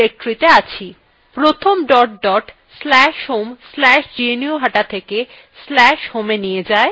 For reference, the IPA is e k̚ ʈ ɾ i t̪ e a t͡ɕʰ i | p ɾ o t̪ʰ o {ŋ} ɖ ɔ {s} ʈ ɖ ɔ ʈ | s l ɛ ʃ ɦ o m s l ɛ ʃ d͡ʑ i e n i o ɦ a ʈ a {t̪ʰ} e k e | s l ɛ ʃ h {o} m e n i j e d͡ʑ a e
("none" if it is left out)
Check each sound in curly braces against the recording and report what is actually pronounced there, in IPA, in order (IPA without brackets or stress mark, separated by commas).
m, none, t̪ʰ, o